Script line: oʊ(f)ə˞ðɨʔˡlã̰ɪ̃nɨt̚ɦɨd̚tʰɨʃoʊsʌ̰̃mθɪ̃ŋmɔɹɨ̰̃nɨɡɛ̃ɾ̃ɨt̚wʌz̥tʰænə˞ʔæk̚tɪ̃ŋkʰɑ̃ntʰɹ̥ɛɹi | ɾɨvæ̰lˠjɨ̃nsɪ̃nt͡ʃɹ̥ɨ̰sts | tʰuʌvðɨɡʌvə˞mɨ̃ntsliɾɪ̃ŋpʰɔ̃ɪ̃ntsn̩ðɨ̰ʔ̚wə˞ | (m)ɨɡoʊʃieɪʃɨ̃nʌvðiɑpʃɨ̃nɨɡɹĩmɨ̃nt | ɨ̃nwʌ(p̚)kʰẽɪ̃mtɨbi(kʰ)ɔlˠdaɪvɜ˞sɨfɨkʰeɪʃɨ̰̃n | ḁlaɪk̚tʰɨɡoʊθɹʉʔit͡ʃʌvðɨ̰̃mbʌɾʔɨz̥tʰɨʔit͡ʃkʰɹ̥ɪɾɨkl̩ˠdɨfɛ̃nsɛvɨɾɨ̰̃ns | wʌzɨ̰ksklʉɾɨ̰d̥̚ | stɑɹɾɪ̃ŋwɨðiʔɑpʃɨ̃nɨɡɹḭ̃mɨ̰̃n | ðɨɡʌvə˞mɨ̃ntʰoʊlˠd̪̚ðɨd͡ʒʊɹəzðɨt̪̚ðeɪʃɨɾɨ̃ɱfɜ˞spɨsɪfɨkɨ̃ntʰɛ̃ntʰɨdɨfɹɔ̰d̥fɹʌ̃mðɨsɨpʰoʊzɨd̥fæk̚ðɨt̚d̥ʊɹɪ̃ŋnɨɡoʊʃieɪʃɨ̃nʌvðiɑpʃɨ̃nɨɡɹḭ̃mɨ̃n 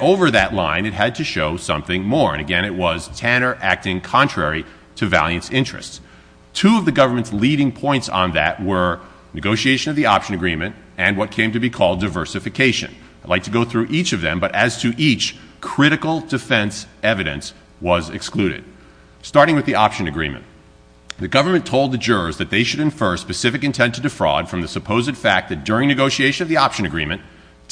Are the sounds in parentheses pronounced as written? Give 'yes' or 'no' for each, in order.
no, no, no, yes

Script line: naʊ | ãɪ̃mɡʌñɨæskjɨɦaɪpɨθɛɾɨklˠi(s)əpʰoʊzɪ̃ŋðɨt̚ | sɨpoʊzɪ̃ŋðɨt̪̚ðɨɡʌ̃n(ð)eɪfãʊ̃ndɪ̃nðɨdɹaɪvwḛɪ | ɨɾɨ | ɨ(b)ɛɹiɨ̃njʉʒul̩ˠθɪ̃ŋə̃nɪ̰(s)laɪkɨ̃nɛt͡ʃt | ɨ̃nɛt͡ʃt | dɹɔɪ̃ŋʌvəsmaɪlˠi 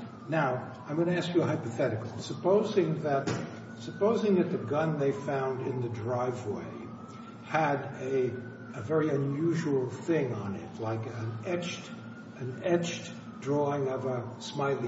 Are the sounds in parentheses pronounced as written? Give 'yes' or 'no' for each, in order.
yes, yes, no, no

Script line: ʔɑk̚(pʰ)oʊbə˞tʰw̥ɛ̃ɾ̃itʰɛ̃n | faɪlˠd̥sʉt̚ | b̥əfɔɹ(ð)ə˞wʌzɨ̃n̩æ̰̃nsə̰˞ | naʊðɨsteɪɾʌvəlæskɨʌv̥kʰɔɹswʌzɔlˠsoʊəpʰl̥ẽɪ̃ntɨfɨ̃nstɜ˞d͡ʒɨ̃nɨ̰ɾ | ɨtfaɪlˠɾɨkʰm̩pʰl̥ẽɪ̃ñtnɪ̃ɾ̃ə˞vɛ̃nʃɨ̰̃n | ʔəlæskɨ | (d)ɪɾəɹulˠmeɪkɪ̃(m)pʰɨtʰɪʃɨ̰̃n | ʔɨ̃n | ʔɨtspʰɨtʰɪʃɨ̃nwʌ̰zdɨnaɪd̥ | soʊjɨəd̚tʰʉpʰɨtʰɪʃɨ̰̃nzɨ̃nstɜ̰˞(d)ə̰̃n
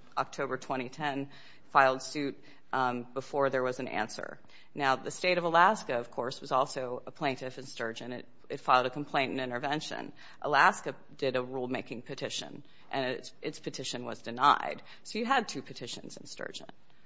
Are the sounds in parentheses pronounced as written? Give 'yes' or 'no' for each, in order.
no, yes, yes, no, no

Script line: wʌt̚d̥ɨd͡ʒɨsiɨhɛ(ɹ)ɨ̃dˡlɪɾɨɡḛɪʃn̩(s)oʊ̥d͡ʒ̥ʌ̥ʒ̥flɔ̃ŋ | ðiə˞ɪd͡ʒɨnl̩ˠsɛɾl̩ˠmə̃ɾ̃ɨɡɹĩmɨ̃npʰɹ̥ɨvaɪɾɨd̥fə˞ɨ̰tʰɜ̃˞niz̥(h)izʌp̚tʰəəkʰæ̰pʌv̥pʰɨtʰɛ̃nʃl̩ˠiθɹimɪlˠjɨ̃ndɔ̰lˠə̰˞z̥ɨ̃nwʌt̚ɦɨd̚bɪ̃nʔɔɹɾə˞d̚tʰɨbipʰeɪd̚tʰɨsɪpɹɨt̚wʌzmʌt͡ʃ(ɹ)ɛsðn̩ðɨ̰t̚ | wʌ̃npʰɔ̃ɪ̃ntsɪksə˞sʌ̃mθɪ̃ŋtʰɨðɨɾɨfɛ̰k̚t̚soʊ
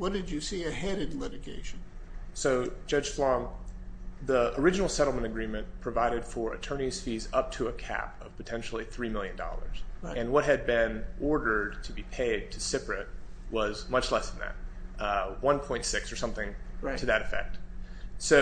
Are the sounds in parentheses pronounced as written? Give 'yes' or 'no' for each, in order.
no, yes, no, no

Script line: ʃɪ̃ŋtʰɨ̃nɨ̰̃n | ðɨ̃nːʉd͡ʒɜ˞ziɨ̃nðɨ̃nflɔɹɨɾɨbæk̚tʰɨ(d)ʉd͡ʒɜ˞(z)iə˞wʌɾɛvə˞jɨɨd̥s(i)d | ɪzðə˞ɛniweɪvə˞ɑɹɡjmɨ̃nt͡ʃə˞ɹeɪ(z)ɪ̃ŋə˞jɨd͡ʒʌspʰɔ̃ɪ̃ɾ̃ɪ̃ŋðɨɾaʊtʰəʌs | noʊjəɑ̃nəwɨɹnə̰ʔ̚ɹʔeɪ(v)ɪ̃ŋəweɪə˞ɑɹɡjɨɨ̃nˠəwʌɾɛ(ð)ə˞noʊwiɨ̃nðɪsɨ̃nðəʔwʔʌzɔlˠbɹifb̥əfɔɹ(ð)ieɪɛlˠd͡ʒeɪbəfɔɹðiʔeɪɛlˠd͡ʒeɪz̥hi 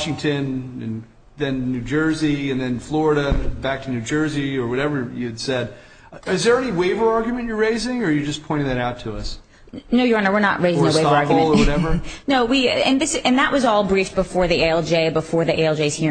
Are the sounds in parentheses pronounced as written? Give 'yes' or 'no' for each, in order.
no, yes, no, yes, no, no, yes

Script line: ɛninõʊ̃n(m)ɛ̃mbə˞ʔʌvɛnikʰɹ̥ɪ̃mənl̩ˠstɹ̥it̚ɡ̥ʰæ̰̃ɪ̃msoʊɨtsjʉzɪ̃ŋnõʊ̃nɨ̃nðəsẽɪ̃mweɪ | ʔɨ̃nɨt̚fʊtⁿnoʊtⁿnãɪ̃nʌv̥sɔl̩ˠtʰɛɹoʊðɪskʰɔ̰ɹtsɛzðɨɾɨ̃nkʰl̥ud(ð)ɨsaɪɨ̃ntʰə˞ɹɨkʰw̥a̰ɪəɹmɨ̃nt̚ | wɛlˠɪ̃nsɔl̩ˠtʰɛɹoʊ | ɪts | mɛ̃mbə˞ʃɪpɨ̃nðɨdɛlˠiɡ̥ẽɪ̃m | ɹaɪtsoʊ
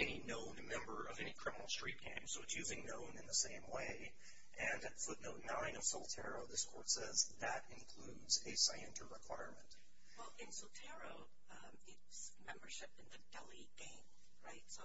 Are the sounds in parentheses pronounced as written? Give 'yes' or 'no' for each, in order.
yes, no

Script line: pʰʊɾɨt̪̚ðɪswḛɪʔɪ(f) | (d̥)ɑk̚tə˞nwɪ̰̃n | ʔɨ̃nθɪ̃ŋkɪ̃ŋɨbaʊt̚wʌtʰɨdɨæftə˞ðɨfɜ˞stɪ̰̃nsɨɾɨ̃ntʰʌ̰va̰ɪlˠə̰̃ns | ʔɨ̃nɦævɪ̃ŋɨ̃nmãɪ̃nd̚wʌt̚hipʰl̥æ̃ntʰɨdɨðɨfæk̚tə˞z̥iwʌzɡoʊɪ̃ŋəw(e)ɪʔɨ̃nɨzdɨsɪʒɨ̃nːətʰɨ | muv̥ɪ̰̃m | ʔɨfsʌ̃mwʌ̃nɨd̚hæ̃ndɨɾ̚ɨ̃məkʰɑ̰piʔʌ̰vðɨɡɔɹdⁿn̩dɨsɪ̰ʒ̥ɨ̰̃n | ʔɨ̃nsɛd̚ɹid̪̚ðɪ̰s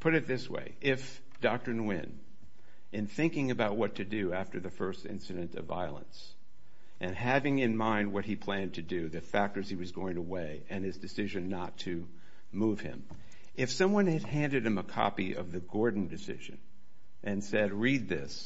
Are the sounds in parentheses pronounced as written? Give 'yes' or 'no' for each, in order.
yes, yes, yes

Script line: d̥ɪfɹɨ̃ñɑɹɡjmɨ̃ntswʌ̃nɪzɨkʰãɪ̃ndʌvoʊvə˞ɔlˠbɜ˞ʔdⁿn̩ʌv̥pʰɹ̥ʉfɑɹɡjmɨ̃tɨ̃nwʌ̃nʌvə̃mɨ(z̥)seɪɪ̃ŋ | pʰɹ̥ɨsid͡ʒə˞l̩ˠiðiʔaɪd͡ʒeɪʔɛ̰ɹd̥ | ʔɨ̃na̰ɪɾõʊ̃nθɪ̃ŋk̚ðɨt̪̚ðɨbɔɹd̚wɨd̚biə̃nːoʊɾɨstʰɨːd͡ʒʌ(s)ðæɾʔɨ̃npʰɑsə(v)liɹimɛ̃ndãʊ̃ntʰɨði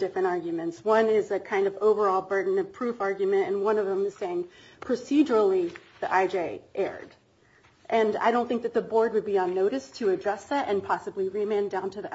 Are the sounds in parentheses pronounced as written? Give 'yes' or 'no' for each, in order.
yes, yes, no

